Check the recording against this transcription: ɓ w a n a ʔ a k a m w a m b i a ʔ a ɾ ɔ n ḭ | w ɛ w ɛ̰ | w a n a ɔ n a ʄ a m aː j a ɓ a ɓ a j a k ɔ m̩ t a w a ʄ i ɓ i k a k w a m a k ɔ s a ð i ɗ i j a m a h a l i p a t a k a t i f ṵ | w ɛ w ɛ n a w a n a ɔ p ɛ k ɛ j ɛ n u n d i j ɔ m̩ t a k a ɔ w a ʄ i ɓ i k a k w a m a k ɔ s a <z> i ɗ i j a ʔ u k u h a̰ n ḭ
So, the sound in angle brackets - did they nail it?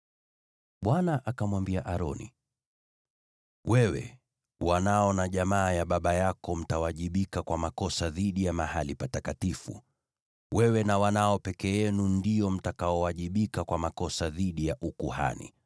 no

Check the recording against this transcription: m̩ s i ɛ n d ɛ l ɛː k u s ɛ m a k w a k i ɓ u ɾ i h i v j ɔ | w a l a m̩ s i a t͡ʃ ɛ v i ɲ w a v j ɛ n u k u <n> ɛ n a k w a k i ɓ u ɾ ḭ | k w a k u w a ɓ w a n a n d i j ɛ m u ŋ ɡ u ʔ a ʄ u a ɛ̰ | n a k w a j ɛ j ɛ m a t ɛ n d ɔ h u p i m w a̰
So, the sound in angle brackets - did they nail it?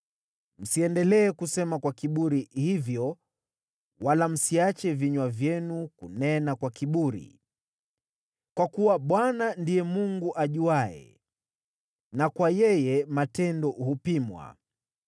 yes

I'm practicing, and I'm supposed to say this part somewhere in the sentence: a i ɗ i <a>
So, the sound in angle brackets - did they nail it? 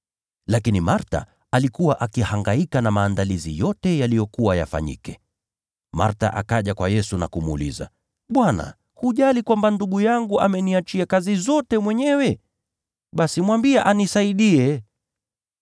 no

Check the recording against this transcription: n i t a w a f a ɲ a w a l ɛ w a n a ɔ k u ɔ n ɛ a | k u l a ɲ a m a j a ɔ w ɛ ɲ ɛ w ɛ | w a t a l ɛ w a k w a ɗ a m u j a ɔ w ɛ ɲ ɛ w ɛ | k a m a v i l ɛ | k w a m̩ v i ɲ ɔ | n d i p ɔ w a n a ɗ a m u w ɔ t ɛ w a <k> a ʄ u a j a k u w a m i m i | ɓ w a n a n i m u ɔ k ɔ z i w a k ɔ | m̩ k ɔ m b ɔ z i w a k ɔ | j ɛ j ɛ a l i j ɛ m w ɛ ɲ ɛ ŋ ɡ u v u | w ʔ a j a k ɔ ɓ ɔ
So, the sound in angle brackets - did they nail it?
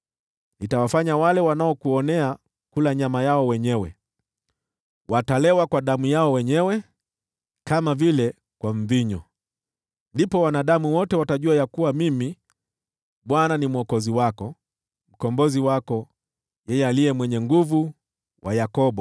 no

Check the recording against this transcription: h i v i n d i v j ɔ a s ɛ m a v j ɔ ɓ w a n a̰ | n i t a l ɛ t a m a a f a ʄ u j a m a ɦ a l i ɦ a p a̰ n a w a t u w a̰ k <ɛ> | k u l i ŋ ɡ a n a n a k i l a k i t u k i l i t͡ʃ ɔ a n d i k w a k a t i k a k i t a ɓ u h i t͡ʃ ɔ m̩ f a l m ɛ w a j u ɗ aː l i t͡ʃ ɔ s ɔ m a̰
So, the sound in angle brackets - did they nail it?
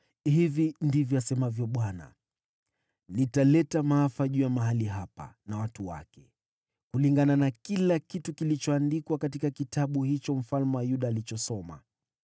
yes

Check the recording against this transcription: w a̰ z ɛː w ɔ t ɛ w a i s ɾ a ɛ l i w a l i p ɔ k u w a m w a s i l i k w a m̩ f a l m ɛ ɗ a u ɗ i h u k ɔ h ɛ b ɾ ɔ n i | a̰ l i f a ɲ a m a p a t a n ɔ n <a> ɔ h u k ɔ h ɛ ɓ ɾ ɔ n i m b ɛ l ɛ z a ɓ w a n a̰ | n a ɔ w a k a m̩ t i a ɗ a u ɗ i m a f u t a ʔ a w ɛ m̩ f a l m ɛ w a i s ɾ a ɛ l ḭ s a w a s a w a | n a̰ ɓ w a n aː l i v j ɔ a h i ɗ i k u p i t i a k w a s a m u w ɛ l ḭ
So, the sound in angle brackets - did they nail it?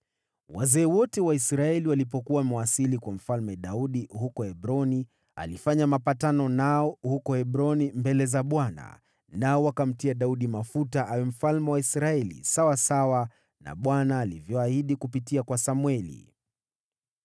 yes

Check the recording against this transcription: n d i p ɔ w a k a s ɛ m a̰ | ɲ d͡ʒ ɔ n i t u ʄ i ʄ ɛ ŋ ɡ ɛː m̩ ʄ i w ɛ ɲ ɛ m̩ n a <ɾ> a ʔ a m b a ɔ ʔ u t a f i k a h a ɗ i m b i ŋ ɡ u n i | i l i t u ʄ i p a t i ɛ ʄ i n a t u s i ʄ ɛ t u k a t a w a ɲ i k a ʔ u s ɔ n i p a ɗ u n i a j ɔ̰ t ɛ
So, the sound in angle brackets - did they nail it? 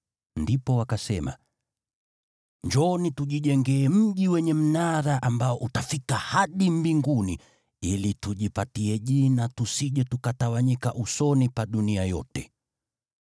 yes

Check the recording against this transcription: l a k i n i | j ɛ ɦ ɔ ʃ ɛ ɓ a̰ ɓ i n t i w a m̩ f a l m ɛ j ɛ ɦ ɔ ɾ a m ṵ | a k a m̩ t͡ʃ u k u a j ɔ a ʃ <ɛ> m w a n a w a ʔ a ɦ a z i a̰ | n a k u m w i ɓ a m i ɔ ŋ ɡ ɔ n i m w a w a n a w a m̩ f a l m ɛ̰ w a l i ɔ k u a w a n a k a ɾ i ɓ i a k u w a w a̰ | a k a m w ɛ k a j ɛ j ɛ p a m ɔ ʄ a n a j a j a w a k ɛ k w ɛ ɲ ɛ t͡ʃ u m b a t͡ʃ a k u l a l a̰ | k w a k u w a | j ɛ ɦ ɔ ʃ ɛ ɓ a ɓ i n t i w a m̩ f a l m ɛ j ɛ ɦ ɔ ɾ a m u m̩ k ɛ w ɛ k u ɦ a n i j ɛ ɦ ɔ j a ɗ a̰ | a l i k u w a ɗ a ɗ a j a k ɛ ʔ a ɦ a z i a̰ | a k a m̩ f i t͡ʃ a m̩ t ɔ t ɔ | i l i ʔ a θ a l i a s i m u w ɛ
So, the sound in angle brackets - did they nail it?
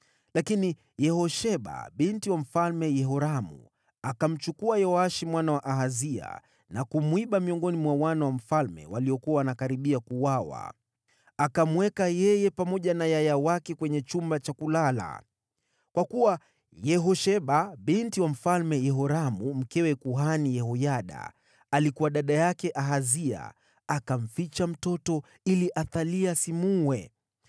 no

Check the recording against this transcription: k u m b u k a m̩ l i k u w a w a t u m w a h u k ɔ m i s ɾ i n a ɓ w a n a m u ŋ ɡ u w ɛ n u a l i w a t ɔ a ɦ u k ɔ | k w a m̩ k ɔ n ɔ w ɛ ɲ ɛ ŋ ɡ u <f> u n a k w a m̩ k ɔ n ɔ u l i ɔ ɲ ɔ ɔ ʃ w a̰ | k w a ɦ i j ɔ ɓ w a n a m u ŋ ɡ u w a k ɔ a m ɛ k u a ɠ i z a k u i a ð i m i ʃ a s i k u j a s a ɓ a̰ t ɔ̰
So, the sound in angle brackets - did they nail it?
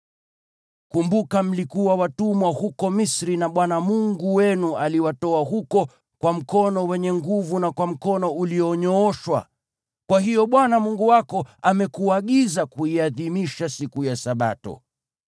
no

